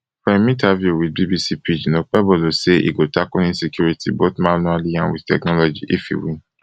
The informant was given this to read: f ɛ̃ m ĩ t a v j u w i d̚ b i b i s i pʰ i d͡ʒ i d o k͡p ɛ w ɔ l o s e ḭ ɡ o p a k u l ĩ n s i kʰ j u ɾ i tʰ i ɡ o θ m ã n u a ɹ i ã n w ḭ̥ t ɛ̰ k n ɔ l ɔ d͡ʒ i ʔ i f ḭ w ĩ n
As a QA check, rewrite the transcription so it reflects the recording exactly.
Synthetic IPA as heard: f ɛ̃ m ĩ t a v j u w i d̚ b i b i s i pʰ i d͡ʒ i n o k͡p ɛ b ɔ l o s e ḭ ɡ o t a k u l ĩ n s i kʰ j u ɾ i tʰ i b o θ m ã n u a l i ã n w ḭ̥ t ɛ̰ k n ɔ l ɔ d͡ʒ i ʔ i f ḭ w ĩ n